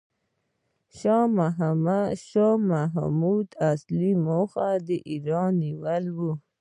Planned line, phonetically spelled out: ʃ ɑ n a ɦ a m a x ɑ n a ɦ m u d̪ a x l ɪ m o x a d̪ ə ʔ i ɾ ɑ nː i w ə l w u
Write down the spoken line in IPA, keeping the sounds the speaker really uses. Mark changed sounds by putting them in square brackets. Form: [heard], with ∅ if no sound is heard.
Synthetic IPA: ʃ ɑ [m] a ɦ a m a [ʃ] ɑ [m] a ɦ m u d̪ a [s] l [i] m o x a d̪ ə ʔ i ɾ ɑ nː i w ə l w u